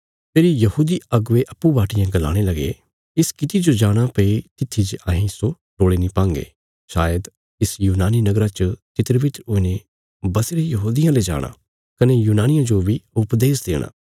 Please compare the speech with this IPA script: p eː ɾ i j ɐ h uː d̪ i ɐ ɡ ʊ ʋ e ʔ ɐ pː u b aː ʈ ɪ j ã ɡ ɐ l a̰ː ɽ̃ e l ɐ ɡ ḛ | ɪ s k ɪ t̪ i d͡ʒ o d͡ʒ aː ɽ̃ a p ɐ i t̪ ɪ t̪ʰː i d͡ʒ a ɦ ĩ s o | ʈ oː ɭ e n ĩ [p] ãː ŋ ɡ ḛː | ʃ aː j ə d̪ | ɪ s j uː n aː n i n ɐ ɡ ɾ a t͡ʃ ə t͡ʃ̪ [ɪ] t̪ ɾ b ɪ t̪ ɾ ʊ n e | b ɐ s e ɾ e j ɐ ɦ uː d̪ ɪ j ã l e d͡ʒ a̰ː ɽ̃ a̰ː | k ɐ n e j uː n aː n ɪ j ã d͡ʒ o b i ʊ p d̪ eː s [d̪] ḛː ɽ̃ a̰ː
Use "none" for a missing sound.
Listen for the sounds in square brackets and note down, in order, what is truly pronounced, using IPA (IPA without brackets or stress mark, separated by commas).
p, ɪ, d̪